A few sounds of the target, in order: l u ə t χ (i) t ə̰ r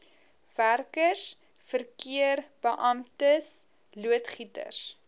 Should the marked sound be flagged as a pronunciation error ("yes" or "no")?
no